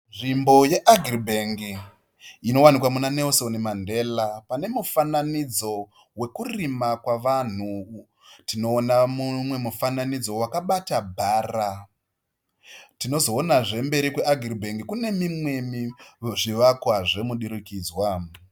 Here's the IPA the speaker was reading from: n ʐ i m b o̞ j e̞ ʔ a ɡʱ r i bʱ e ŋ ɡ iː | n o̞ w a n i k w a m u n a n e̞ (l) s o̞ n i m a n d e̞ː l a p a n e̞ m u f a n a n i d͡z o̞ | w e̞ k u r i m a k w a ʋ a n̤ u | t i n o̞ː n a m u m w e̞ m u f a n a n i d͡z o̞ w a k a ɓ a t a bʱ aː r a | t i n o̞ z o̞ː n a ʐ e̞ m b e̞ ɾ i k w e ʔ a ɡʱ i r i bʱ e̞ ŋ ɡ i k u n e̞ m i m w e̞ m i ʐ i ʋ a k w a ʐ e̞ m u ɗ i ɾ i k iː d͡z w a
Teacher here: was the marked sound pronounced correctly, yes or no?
yes